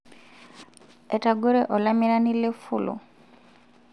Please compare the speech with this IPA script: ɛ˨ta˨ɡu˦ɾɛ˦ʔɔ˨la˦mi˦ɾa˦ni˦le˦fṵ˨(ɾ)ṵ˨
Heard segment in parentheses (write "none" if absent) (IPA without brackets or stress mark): l